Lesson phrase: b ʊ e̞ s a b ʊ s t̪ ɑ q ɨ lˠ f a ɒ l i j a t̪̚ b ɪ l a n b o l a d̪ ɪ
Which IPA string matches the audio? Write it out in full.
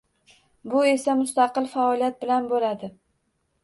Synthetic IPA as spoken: b ʊ e̞ s a m ʊ s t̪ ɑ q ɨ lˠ f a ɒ l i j a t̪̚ b ɪ l a n b o l a d̪ ɪ